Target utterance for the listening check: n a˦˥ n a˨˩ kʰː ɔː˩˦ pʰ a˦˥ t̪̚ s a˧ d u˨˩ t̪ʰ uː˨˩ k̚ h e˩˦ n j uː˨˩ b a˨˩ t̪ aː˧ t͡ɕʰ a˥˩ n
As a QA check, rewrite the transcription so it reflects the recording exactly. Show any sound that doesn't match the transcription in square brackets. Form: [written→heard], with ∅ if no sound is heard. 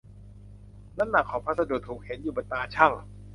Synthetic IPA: n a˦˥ n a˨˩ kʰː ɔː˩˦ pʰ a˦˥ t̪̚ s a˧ d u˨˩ t̪ʰ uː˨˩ k̚ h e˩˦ n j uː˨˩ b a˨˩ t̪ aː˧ t͡ɕʰ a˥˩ [n→ŋ]